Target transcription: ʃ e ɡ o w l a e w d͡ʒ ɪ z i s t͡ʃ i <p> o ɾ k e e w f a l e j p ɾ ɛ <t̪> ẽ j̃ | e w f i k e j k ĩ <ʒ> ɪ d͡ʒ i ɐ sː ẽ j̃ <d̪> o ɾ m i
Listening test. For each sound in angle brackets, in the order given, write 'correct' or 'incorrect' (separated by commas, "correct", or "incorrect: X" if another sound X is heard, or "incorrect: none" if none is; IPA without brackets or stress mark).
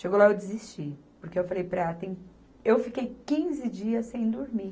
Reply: correct, correct, incorrect: z, correct